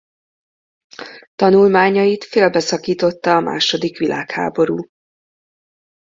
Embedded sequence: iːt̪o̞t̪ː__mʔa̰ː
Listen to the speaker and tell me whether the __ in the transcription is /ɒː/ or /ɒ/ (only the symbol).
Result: ɒː